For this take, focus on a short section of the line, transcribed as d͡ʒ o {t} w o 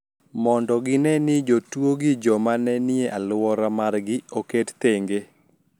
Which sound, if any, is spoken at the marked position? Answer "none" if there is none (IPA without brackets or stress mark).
t